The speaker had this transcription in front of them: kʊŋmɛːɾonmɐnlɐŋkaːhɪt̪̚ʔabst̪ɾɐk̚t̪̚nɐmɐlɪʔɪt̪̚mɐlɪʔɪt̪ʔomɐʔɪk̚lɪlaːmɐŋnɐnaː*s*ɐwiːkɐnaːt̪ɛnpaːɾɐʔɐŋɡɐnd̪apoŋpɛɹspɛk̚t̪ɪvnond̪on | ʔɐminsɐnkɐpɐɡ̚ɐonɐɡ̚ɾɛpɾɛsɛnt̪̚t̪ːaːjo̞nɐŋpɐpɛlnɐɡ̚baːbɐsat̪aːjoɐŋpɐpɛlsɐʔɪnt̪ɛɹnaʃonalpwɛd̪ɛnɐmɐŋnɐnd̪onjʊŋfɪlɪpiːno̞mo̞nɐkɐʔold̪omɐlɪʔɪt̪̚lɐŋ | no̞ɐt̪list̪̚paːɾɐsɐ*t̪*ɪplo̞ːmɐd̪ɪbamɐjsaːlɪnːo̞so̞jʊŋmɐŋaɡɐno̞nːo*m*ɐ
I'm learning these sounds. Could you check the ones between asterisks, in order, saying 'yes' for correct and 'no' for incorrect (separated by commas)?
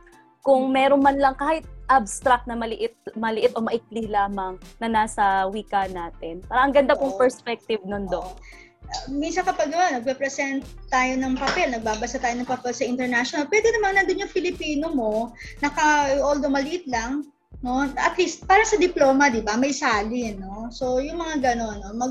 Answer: yes, no, yes